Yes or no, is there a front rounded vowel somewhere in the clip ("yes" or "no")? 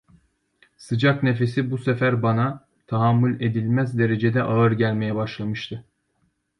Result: no